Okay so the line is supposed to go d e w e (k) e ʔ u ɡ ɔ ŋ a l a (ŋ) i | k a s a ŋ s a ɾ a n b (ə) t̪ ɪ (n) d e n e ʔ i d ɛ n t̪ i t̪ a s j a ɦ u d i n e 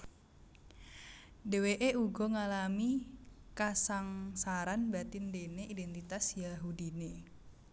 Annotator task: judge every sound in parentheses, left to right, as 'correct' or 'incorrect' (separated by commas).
incorrect, incorrect, incorrect, correct